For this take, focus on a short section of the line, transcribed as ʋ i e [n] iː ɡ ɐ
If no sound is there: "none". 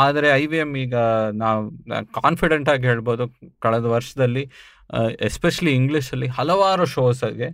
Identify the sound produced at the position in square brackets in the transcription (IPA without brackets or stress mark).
m